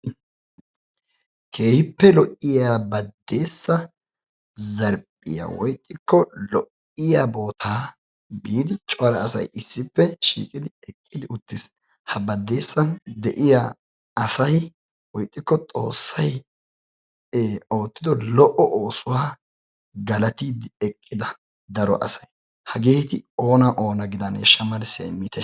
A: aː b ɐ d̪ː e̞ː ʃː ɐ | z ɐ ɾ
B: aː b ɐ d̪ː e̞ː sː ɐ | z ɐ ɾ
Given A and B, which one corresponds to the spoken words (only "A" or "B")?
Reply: B